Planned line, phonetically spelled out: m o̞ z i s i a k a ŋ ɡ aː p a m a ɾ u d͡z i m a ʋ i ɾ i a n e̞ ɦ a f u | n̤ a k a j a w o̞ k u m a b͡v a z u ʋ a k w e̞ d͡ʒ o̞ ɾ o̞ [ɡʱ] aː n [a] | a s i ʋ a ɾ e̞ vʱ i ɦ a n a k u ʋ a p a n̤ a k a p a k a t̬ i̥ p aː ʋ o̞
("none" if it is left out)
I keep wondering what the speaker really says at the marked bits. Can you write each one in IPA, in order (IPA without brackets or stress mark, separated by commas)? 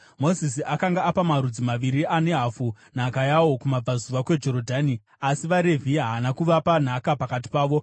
dʱ, i